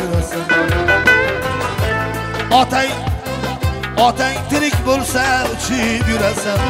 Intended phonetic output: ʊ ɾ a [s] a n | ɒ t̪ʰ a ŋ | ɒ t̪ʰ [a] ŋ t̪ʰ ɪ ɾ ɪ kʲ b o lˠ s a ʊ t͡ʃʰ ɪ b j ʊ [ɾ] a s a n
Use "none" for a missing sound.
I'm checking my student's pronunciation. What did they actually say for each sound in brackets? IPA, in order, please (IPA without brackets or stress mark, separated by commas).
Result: s, a, ɾ